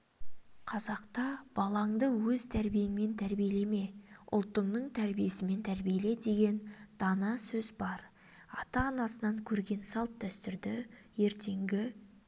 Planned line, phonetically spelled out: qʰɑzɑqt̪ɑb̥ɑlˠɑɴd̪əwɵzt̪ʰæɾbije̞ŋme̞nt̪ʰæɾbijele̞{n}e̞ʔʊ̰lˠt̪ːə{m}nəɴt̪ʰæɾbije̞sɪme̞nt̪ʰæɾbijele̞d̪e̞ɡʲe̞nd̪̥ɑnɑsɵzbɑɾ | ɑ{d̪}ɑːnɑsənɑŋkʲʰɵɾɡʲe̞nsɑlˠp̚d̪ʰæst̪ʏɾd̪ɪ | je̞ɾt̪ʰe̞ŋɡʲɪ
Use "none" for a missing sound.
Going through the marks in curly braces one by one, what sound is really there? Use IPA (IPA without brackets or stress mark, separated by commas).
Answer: m, ɴ, t̪